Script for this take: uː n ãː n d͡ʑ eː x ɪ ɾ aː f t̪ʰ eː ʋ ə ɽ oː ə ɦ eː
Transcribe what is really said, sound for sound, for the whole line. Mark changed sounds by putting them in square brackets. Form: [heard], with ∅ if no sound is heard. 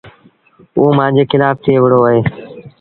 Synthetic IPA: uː [m] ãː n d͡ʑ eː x ɪ [l] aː f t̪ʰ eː ʋ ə ɽ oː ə ɦ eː